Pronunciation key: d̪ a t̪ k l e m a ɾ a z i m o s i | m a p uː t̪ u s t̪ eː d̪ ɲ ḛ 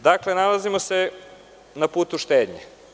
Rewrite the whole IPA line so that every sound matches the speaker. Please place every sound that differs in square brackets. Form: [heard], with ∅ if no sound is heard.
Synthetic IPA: d̪ a [∅] k l e [n] a [l] a z i m o s [e] | [n] a p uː t̪ u [ʃ] t̪ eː d̪ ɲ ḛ